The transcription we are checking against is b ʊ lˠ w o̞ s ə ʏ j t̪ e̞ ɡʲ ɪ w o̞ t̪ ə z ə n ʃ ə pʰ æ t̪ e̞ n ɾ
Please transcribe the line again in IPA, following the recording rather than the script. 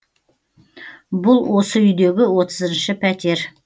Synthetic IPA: b ʊ lˠ w o̞ s ə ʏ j d̪ e̞ ɡʲ ɪ w o̞ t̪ ə z ə n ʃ ə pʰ æ t̪ e̞ ɾ